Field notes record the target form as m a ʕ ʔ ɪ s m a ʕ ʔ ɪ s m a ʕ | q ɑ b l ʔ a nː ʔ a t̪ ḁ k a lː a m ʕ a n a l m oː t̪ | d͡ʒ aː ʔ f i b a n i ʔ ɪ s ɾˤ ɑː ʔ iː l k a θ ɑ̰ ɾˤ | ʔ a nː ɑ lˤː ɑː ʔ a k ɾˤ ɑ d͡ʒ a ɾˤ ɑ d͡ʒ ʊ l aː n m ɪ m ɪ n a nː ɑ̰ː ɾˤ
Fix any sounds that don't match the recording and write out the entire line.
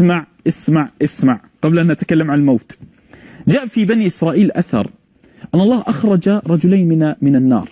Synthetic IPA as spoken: m a ʕ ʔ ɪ s m a ʕ ʔ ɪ s m a ʕ | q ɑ b l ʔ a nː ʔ a t̪ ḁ k a lː a m ʕ a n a l m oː t̪ | d͡ʒ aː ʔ f i b a n i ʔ ɪ s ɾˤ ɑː ʔ iː l ʔ a θ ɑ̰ ɾˤ | ʔ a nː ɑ lˤː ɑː ʔ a x ɾˤ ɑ d͡ʒ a ɾˤ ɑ d͡ʒ ʊ l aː n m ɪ m ɪ n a nː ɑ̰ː ɾˤ